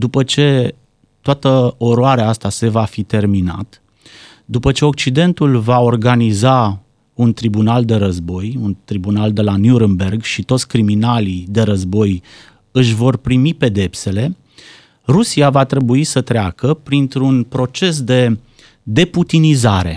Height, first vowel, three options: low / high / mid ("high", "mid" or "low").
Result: high